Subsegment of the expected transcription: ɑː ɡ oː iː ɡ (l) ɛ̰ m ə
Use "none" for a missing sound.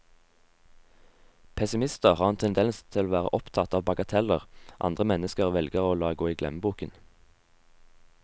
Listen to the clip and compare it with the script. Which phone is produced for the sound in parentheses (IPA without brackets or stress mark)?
l